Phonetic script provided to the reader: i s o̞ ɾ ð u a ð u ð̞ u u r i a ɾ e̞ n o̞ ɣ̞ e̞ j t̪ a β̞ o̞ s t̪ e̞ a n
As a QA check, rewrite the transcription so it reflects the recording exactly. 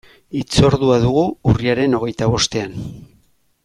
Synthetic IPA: i t͡s o̞ ɾ ð u a ð u ɣ̞ u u r i a ɾ e̞ n o̞ ɣ̞ e̞ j t̪ a β̞ o̞ s t̪ e̞ a n